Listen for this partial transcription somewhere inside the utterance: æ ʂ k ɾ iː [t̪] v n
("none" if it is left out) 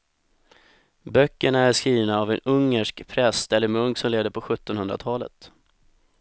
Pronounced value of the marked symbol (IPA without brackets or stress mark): none